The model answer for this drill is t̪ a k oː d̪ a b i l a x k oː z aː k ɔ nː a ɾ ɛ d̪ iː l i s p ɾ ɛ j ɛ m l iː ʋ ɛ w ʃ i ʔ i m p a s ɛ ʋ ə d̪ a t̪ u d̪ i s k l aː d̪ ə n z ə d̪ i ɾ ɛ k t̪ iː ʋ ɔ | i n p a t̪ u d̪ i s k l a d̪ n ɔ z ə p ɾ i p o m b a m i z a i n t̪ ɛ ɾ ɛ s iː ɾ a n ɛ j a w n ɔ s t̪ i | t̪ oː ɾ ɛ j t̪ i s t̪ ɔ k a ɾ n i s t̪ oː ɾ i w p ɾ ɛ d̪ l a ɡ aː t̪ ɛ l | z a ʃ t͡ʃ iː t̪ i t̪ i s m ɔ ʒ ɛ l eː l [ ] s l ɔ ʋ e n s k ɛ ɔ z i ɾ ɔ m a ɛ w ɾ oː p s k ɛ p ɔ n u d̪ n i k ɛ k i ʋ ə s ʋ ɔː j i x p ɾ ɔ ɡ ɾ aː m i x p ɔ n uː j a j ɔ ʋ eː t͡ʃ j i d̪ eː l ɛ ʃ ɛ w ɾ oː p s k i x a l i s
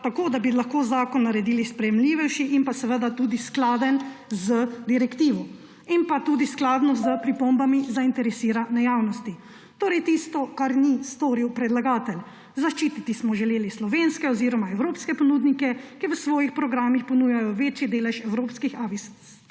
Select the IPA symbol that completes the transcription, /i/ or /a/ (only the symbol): i